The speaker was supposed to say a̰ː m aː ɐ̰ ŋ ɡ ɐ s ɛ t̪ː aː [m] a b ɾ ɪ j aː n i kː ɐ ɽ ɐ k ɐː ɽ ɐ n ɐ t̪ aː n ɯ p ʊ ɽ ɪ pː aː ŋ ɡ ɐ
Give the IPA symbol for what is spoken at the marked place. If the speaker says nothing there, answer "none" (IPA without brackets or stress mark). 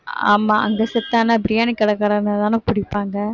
n